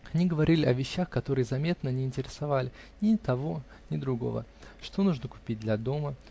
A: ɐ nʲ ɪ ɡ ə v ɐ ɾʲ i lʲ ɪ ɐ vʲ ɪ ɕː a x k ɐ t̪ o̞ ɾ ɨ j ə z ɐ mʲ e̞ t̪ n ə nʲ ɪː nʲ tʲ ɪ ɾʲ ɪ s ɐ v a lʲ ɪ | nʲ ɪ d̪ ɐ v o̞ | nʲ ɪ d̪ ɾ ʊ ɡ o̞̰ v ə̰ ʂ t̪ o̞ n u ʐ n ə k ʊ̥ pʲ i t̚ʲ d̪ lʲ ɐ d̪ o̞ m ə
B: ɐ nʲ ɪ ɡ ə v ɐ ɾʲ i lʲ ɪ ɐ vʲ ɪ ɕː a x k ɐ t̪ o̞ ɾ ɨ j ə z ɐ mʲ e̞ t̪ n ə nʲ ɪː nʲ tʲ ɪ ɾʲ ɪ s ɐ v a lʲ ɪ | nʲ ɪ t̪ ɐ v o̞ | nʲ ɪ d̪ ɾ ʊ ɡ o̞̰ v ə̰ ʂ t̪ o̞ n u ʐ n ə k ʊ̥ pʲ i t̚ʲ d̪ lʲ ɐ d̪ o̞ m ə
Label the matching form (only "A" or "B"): B